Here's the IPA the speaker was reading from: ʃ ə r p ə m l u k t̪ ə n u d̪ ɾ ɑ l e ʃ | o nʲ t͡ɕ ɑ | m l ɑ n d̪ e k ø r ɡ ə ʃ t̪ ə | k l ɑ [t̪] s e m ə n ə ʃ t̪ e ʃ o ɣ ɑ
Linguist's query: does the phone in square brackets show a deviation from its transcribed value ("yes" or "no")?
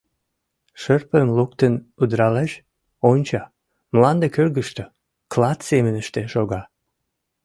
no